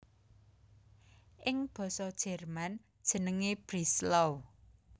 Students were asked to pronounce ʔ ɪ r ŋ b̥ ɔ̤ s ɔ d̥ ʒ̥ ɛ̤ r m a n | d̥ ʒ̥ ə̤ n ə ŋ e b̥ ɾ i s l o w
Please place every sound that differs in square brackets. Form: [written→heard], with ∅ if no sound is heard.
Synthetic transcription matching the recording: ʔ ɪ [r→∅] ŋ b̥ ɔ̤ s ɔ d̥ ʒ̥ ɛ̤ r m a n | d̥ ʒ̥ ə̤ n ə ŋ e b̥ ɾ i s l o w